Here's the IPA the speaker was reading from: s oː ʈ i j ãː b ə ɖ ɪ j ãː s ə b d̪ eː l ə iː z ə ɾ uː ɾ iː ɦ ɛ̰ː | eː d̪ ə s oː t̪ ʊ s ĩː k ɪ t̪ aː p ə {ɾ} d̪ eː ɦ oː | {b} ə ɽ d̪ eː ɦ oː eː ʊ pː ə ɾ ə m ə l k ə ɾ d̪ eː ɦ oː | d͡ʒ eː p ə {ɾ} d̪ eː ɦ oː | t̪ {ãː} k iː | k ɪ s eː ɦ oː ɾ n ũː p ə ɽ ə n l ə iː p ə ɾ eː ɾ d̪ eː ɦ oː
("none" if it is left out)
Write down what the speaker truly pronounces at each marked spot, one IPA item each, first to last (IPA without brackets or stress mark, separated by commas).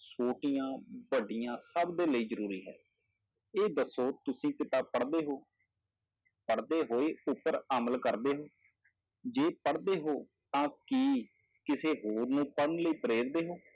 ɽ, p, ɽ, ãː